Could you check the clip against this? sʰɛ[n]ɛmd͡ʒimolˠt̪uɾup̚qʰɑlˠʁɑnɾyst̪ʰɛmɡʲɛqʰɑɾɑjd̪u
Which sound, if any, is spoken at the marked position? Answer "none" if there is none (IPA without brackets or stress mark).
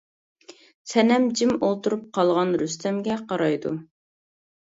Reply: n